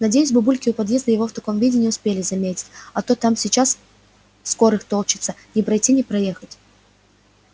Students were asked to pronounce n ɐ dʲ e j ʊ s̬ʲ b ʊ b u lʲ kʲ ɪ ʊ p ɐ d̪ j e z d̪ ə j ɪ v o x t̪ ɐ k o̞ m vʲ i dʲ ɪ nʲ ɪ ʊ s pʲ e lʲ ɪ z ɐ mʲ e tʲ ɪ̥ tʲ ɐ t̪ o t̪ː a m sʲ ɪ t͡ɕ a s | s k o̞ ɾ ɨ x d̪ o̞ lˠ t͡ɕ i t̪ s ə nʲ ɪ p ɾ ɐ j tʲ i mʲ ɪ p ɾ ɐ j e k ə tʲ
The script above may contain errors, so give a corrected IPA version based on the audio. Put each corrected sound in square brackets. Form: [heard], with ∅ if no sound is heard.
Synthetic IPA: n ɐ dʲ e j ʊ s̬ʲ b ʊ b u lʲ kʲ ɪ ʊ p ɐ d̪ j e z d̪ ə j ɪ v o [f] t̪ ɐ k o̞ m vʲ i dʲ ɪ nʲ ɪ ʊ s pʲ e lʲ ɪ z ɐ mʲ e tʲ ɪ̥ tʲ ɐ t̪ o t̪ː a m sʲ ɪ t͡ɕ a s | s k o̞ ɾ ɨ x [t̪] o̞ lˠ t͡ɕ [ɪ] t̪ s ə nʲ ɪ p ɾ ɐ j tʲ i [nʲ] ɪ p ɾ ɐ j e [x] ə tʲ